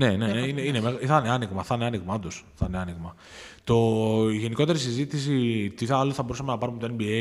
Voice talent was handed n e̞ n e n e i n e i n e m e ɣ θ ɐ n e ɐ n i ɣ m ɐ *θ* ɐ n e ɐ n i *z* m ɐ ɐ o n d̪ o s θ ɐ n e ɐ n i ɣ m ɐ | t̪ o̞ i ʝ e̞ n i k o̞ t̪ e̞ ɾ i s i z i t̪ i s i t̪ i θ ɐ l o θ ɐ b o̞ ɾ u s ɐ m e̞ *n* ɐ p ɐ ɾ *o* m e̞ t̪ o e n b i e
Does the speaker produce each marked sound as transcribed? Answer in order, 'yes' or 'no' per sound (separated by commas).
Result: yes, no, yes, no